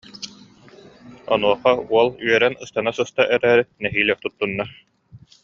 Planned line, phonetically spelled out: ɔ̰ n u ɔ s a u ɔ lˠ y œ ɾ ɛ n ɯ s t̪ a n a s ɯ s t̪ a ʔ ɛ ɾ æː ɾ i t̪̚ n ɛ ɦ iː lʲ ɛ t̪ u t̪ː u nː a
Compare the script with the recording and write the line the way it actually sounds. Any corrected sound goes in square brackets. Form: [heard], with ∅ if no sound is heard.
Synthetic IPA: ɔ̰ n u ɔ [χ] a u ɔ lˠ y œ ɾ ɛ n ɯ s t̪ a n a s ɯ s t̪ a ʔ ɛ ɾ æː ɾ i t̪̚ n ɛ ɦ iː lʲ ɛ t̪ u t̪ː u nː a